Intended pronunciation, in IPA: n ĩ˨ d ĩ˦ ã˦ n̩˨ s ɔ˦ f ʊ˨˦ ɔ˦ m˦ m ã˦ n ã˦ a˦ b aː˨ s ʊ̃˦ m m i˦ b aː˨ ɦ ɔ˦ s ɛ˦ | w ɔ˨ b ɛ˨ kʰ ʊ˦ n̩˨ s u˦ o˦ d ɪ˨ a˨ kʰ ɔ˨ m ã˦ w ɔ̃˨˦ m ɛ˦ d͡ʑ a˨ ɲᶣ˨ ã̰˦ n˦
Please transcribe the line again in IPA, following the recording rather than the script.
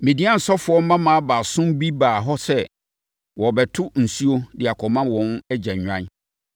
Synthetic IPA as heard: m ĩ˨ d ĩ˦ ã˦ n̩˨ s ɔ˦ f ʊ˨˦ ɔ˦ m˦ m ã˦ m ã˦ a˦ b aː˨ s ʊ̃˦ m b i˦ b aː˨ ɦ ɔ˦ s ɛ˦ | w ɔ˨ b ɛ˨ tʰ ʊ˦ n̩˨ s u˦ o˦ d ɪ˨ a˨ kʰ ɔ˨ m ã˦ w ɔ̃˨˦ n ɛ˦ d͡ʑ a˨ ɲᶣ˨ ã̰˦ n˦

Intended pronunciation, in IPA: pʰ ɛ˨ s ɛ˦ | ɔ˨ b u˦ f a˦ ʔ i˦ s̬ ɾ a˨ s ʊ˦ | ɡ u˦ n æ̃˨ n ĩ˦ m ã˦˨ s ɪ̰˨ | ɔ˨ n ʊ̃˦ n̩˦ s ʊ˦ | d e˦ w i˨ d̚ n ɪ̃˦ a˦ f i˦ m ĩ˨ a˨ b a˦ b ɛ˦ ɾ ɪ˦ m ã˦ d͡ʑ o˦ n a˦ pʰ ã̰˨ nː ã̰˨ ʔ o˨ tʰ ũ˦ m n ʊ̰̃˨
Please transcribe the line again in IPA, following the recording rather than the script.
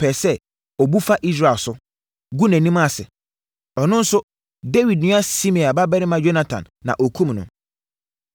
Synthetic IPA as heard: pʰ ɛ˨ s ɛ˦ | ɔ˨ b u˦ f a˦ ʔ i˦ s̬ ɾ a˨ s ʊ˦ | ɡ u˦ n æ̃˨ n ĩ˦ m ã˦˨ s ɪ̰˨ | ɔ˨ n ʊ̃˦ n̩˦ s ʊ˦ | d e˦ w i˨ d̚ n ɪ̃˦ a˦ s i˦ m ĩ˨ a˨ b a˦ b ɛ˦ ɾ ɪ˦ m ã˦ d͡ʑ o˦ n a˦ tʰ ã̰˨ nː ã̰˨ ʔ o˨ kʰ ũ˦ m n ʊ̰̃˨

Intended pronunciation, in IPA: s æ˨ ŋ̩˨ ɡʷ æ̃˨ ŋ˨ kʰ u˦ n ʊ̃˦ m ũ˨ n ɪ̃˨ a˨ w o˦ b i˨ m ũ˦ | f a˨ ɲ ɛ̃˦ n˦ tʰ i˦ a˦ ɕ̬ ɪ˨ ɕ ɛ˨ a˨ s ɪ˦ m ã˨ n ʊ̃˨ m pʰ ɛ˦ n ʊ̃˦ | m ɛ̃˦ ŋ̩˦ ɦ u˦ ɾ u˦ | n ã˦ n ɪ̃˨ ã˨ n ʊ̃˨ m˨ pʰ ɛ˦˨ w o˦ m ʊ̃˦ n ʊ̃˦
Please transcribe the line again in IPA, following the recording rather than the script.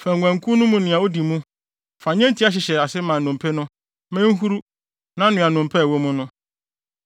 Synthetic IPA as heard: f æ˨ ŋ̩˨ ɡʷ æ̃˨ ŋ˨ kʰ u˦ n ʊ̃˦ m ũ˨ n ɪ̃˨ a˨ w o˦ d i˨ m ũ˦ | f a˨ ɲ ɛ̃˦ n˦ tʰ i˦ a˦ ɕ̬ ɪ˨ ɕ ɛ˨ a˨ s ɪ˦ m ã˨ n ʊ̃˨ m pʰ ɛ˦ n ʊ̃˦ | m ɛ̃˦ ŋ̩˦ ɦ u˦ ɾ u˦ | n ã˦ n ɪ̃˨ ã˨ n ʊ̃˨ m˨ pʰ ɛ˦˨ w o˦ m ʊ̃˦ n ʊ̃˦

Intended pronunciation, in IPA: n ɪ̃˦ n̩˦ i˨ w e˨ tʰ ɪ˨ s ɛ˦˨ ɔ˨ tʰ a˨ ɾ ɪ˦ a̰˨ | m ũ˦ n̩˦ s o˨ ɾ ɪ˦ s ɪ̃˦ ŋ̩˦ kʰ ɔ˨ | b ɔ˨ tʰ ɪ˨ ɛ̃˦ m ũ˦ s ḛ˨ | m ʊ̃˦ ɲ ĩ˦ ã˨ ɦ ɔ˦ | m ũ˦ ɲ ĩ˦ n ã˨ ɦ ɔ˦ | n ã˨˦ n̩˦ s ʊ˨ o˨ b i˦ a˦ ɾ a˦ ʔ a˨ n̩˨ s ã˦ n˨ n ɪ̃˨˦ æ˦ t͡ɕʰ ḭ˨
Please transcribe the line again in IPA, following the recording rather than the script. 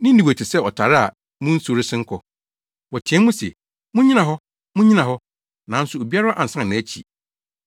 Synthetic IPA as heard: n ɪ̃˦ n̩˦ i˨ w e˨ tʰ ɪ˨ s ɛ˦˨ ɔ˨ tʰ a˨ ɾ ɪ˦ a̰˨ | m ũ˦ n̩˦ s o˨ ɾ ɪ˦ s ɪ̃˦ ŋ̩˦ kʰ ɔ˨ | w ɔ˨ tʰ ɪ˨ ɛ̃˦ m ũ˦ s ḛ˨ | m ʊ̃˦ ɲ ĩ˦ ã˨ ɦ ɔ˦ | m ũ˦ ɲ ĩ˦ n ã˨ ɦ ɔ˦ | n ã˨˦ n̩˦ s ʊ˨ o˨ b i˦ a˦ ɾ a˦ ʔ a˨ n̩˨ s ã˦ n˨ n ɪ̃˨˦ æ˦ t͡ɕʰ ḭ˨

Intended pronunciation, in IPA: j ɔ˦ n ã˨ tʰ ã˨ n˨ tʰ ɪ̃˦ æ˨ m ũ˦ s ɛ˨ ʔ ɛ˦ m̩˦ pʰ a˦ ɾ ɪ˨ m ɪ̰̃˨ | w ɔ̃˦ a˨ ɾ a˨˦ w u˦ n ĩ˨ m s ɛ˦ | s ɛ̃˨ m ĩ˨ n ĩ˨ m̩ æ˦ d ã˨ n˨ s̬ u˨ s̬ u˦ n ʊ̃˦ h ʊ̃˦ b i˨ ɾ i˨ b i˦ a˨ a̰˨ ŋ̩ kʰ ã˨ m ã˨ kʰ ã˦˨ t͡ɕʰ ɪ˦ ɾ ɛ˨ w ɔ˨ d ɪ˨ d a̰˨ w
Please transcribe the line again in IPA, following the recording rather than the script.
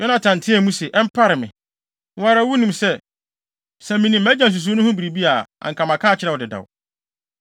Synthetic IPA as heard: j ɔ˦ n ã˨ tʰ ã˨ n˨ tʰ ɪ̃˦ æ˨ m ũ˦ s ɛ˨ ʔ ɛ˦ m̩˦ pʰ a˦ ɾ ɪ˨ m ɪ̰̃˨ | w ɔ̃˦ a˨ ɾ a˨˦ w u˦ n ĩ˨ m s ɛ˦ | s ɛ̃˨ m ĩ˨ n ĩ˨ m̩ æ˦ d͡ʑ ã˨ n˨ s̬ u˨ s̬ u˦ n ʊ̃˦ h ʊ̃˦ b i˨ ɾ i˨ b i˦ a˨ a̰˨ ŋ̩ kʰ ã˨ m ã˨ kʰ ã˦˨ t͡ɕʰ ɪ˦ ɾ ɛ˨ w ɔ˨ d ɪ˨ d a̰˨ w

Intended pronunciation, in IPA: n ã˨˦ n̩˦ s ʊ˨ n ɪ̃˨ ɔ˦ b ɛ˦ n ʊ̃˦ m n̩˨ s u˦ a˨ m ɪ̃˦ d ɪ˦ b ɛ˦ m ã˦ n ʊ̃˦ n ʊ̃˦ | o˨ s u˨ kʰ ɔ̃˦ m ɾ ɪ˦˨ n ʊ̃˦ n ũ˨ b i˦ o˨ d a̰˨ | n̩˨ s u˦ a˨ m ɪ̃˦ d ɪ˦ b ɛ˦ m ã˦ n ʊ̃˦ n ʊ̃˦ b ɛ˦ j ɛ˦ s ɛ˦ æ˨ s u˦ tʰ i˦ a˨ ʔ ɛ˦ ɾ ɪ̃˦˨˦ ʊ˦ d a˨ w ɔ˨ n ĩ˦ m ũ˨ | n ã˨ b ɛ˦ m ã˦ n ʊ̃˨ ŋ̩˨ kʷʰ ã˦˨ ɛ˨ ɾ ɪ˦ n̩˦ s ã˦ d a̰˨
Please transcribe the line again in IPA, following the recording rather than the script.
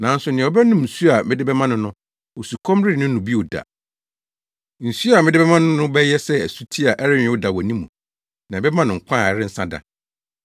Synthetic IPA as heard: n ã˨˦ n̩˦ s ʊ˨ n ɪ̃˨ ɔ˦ b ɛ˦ n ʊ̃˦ m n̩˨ s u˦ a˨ m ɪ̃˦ d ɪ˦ b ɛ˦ m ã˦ n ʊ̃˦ n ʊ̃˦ | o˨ s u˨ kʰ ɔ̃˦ m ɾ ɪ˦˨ n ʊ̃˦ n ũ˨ b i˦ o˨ d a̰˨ | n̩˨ s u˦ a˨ m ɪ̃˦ d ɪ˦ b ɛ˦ m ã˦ n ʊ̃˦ n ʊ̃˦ b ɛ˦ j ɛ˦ s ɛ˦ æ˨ s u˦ tʰ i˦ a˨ ʔ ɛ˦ ɾ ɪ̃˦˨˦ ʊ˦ d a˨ w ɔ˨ n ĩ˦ m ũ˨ | n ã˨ b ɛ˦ m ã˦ n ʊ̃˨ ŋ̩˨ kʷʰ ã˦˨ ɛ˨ ɾ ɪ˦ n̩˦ s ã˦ d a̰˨

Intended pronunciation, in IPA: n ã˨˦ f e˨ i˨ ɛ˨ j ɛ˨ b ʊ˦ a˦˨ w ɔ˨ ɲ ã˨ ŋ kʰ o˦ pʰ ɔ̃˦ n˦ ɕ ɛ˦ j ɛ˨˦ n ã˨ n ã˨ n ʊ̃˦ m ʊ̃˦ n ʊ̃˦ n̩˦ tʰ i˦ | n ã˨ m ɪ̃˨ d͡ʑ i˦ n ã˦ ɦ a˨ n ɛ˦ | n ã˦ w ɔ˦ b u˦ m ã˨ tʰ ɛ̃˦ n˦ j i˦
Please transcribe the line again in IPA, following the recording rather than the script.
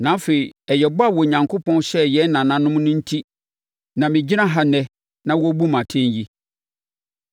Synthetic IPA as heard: n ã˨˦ f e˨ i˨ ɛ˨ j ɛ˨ b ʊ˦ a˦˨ w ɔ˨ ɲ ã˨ ŋ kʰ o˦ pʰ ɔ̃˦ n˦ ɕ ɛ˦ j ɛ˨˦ n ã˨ n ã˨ n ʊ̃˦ m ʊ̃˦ n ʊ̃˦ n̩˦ tʰ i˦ | n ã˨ m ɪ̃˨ d͡ʑ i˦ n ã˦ ɦ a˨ n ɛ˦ | n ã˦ w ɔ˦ b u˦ m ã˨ tʰ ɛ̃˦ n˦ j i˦

